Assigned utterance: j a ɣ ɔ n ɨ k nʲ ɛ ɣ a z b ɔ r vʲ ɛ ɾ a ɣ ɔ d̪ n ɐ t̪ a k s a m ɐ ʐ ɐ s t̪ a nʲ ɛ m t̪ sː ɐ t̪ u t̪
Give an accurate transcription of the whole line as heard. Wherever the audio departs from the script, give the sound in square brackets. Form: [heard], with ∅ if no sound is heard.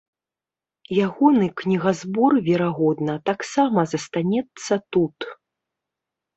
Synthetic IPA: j a ɣ ɔ n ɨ k nʲ [i] ɣ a z b ɔ r vʲ ɛ ɾ a ɣ ɔ d̪ n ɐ t̪ a k s a m ɐ [z] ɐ s t̪ a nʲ ɛ [∅] t̪ sː ɐ t̪ u t̪